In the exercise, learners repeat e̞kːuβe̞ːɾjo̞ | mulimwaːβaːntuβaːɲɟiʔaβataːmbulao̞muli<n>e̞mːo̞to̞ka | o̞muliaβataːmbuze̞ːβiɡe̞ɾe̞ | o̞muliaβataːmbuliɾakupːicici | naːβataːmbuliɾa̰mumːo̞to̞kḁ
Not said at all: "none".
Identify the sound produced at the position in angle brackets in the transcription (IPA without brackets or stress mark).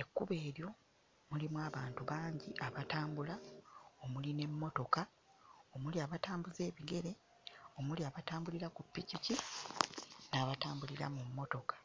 n